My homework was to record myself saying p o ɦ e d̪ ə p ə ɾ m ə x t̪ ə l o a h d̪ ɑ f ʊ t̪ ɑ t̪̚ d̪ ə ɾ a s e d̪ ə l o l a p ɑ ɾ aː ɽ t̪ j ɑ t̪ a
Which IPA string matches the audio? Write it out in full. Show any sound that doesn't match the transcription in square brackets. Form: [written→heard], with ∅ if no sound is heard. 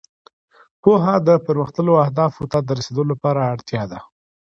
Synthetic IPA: p o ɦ [e→a] d̪ ə p ə ɾ m ə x t̪ ə l o a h d̪ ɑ f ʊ t̪ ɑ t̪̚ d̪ ə ɾ a s e d̪ ə l o l a p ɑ ɾ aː ɽ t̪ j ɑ [t̪→d̪] a